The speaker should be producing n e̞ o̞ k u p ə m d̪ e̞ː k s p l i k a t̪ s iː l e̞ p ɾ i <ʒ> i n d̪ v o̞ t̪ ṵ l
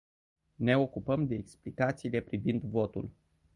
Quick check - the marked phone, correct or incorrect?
incorrect: v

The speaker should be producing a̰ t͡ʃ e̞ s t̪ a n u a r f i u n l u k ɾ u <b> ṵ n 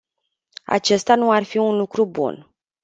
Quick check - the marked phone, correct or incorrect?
correct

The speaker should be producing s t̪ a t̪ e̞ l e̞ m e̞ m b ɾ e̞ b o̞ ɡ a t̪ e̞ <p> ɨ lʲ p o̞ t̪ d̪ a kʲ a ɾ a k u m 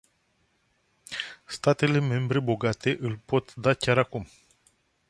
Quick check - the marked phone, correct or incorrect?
incorrect: ʔ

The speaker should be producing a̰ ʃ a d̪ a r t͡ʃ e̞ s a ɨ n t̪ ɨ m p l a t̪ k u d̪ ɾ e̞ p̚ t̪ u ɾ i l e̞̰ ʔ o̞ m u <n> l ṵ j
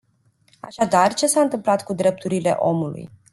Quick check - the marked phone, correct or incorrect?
incorrect: none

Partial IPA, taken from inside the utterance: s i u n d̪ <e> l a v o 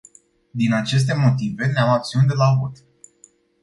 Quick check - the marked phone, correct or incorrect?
correct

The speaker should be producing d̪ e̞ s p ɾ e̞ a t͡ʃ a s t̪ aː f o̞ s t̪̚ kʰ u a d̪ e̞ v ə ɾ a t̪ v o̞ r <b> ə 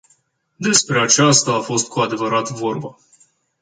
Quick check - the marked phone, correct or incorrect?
correct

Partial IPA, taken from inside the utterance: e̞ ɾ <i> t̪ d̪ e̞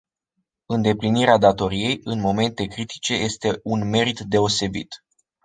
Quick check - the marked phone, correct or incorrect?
correct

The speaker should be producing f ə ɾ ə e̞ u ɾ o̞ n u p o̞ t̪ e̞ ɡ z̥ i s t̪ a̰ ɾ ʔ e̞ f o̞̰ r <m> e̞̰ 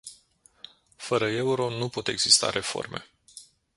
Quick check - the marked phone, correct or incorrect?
correct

